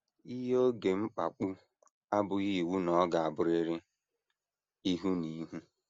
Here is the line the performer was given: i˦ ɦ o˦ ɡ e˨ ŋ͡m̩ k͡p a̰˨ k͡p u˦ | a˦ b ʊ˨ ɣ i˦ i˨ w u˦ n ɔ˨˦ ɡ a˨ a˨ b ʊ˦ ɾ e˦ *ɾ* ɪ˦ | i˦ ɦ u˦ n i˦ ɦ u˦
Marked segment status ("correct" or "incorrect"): correct